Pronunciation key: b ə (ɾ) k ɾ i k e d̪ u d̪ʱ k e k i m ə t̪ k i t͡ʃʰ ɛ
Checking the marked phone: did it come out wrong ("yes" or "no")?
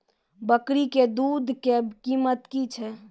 yes